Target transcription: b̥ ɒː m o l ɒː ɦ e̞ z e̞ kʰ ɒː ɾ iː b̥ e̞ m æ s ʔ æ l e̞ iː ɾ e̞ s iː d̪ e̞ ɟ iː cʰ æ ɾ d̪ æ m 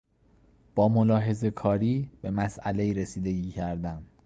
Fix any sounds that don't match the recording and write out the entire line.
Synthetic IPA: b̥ ɒː m o l ɒː ɦ e̞ z e̞ kʰ ɒː ɾ iː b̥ e̞ m æ s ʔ æ l e̞ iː ɾ e̞ s iː d̪ e̞ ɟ iː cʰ æ ɾ d̪ æ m